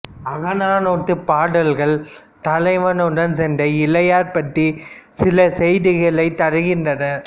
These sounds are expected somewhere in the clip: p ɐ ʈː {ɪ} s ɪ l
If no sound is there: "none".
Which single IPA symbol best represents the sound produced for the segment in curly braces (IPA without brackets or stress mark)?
i